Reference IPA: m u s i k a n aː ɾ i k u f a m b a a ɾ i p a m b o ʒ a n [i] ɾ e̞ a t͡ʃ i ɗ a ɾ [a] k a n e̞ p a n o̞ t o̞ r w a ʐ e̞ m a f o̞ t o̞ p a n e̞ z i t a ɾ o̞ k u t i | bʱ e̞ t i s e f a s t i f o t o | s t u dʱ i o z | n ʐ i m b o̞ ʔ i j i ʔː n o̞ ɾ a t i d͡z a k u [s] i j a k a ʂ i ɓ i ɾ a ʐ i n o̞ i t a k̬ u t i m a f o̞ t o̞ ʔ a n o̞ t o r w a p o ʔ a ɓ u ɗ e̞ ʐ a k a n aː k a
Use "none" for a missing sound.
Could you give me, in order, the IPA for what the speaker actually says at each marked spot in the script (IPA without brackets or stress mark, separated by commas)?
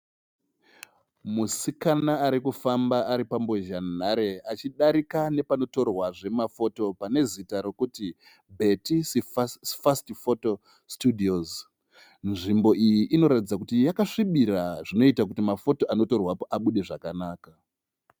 a, i, t